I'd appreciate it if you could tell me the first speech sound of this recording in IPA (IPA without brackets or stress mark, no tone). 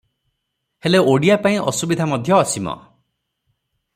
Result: h